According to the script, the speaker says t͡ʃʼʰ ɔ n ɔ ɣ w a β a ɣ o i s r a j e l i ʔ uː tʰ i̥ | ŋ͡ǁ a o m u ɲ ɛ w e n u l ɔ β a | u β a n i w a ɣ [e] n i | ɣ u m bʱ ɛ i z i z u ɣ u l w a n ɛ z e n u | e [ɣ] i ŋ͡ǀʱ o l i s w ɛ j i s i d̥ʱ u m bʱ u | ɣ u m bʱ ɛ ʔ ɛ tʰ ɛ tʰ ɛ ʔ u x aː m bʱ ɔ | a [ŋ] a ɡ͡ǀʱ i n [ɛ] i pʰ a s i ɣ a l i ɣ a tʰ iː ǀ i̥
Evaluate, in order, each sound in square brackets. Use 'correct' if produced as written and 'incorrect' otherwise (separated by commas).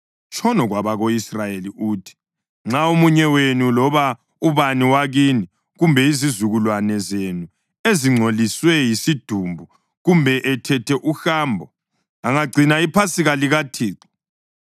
incorrect, incorrect, correct, incorrect